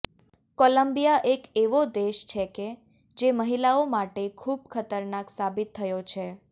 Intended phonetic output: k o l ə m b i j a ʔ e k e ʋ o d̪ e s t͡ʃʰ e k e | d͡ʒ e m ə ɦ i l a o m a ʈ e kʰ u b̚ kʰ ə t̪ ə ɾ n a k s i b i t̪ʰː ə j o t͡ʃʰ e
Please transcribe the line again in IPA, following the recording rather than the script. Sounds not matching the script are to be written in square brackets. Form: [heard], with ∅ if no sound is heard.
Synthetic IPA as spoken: k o l ə m b i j a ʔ e k e ʋ o d̪ e [ʃ] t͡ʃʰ e k e | d͡ʒ e m ə ɦ i l a o m a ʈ e kʰ u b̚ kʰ ə t̪ ə ɾ n a k s [a] b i t̪ʰː ə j o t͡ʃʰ e